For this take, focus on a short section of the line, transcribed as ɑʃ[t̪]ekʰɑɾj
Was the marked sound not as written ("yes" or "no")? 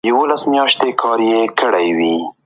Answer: no